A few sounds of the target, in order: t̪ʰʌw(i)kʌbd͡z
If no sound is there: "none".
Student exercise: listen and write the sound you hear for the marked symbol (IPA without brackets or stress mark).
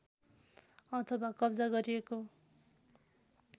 a